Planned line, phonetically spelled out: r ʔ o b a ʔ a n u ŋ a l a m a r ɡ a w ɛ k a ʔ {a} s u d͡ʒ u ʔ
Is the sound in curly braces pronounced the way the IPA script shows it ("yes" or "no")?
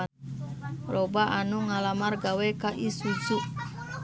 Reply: no